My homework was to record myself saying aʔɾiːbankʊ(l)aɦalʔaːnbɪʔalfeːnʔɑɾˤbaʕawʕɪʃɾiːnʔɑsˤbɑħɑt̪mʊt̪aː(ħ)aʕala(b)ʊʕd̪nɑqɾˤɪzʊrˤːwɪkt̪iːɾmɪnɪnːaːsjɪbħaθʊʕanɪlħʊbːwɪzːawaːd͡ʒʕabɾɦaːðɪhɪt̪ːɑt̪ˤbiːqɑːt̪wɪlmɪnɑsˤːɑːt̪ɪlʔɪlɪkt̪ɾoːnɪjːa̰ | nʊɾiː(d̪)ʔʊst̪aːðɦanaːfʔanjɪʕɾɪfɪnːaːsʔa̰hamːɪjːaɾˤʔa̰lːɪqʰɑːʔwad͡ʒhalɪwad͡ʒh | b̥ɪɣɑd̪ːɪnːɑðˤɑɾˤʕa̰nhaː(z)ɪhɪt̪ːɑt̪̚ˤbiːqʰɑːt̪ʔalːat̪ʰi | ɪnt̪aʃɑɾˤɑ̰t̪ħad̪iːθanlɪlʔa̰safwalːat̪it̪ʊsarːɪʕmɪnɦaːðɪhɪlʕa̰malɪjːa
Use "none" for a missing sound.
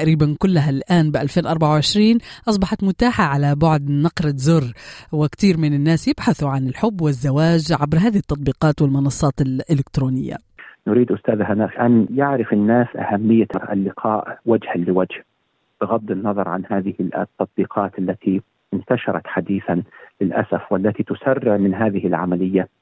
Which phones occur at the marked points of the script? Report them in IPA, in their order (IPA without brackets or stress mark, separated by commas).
lː, ħ, b, d̪, ð